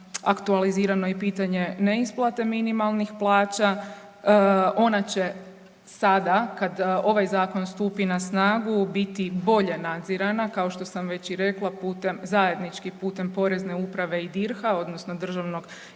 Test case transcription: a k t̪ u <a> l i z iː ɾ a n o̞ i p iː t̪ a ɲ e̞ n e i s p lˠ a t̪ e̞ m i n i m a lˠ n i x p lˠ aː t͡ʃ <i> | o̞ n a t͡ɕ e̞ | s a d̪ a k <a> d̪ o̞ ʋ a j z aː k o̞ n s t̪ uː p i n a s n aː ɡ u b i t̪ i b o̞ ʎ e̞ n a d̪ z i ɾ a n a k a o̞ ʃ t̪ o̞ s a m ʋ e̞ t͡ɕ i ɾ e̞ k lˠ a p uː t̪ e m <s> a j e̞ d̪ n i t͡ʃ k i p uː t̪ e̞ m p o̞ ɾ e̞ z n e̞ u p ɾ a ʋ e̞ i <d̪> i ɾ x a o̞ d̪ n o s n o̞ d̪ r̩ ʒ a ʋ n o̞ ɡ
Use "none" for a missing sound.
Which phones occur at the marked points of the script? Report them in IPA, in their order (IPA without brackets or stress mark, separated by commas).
a, a, a, z, d̪